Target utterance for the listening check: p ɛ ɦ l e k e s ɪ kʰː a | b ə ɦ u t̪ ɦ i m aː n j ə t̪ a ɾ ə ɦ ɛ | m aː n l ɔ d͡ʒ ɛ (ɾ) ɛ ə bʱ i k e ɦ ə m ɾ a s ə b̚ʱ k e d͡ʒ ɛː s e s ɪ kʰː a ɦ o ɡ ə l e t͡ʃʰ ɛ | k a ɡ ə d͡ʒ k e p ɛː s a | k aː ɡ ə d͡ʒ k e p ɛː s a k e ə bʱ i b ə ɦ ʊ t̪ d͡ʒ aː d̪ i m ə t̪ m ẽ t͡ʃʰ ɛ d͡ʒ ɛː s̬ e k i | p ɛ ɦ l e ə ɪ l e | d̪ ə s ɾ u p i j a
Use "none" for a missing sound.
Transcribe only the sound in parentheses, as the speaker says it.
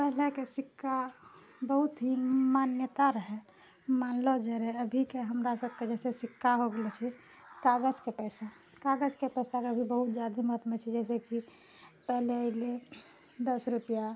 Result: ɾ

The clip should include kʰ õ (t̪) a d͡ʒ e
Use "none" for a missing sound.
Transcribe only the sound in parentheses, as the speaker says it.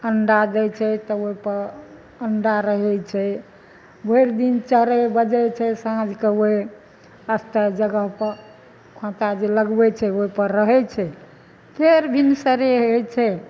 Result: t̪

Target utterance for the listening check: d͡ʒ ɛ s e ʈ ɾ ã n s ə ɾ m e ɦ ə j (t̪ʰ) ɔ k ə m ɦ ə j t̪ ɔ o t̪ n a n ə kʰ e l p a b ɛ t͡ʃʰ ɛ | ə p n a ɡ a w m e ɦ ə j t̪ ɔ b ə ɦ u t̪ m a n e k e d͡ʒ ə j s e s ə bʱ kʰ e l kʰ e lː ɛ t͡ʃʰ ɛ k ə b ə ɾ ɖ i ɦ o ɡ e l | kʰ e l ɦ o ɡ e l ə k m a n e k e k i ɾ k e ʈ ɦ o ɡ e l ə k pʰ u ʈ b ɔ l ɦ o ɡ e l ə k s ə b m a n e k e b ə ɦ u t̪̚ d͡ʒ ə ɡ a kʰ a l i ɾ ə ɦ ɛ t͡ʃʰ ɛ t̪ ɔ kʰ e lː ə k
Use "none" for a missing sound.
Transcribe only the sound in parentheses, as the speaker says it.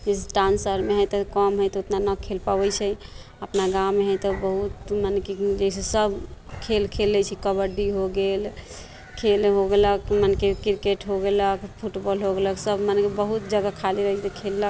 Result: t̪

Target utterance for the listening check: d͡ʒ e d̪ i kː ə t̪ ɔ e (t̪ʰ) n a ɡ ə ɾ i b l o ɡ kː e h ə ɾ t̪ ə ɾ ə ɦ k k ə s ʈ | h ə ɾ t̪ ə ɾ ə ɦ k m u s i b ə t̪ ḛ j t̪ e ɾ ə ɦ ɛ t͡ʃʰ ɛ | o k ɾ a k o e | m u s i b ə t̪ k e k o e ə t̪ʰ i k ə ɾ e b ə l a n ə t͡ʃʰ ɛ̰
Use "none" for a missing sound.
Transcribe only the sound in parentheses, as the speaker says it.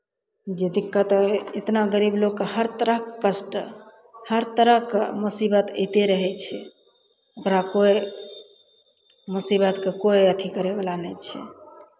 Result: t̪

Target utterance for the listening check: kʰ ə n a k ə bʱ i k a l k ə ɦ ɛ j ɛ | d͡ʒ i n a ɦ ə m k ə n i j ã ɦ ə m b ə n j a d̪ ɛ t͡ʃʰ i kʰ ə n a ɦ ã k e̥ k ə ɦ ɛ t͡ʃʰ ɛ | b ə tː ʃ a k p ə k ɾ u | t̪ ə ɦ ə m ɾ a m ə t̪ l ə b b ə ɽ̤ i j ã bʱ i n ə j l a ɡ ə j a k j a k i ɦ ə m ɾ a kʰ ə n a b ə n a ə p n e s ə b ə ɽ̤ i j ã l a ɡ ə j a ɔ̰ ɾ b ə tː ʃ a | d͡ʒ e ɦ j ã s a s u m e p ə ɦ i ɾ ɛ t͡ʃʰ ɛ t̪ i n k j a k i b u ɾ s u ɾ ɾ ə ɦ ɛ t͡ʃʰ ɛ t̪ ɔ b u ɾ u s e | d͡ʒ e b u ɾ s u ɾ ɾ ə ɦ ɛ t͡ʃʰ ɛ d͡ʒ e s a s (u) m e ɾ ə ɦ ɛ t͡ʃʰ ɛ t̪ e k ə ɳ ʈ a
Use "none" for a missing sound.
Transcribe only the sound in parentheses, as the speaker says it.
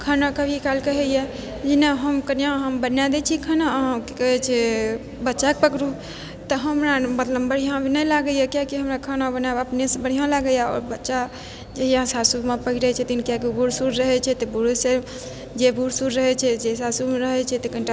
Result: u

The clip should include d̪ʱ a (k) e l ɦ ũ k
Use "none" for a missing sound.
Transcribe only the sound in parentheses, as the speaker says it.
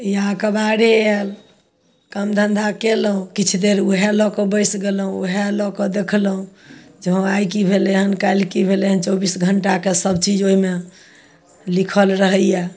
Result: k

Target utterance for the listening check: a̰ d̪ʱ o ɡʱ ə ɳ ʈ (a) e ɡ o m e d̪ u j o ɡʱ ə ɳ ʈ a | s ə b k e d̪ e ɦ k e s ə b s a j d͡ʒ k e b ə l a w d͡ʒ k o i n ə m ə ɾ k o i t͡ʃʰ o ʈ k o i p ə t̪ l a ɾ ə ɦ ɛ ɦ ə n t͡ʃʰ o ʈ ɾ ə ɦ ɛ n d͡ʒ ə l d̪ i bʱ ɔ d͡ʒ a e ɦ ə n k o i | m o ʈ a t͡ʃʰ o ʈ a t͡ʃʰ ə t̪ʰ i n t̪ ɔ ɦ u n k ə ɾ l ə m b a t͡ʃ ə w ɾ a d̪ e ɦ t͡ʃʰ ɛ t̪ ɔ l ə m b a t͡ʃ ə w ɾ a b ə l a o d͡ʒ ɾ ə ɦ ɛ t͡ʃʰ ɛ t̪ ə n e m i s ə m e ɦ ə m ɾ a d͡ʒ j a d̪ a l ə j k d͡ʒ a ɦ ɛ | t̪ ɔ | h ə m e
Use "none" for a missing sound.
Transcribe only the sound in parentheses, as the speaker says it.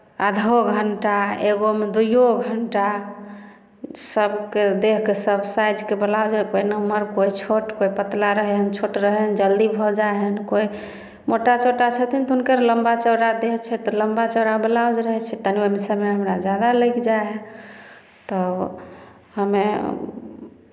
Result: a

